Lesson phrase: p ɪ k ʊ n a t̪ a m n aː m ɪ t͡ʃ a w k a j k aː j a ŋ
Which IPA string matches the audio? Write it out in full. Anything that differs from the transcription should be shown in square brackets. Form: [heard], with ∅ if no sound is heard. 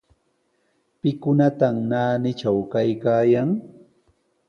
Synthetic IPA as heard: p ɪ k ʊ n a t̪ a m n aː [n] ɪ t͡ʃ a w k a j k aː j a ŋ